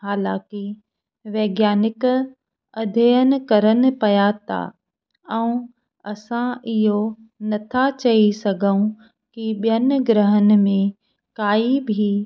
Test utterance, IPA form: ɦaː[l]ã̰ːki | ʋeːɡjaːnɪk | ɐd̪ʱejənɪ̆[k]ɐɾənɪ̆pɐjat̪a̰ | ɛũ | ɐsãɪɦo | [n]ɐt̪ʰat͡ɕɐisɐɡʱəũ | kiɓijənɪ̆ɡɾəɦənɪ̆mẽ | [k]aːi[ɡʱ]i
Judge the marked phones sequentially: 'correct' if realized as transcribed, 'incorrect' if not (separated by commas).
correct, correct, correct, correct, incorrect